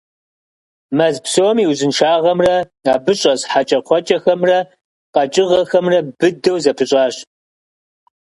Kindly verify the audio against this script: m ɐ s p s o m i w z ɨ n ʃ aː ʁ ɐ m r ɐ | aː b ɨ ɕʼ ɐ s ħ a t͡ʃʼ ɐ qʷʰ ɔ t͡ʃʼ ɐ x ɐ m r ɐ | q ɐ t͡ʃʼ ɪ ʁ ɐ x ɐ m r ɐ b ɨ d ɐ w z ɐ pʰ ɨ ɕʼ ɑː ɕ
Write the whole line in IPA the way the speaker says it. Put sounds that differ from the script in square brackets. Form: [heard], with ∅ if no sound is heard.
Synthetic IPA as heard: m ɐ [z] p s o m i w z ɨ n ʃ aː ʁ ɐ m r ɐ | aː b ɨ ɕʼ ɐ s ħ a t͡ʃʼ ɐ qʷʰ ɔ t͡ʃʼ ɐ x ɐ m r ɐ | q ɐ t͡ʃʼ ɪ ʁ ɐ x ɐ m r ɐ b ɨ d ɐ w z ɐ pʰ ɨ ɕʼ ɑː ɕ